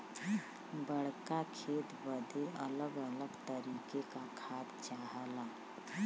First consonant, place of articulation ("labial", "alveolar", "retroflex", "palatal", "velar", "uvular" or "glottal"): labial